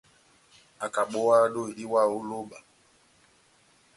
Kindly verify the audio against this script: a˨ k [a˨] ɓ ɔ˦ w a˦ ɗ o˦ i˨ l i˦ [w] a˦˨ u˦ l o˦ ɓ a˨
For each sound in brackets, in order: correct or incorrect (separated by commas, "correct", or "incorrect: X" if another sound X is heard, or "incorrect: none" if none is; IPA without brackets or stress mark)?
correct, correct